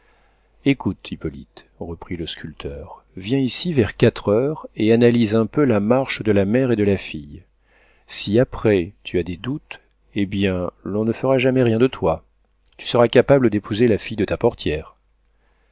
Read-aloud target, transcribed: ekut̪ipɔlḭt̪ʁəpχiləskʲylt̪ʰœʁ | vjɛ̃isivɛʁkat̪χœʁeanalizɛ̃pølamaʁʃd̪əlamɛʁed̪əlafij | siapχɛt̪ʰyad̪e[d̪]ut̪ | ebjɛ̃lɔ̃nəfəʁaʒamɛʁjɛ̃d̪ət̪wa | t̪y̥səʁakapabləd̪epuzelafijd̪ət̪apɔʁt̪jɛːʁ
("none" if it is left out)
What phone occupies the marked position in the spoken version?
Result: d̪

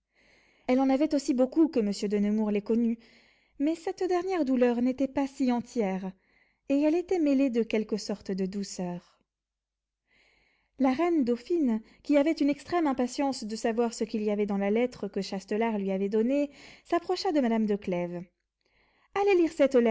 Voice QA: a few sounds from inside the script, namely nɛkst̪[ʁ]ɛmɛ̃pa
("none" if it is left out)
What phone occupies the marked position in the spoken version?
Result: χ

